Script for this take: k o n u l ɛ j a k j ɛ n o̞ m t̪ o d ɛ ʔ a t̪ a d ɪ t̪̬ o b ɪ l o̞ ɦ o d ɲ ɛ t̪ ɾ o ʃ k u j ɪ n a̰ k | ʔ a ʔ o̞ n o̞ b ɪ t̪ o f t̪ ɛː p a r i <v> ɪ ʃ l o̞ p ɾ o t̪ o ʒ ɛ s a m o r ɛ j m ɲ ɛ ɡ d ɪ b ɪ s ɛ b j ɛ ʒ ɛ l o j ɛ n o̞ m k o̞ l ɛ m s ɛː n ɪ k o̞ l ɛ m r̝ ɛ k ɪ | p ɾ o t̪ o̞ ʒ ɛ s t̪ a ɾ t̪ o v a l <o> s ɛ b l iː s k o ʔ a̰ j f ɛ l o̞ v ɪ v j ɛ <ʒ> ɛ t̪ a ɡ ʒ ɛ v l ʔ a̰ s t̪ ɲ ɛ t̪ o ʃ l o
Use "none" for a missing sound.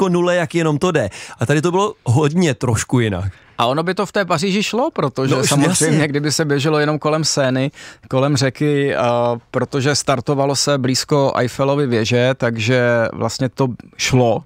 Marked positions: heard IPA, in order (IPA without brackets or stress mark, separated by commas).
ʒ, o, ʒ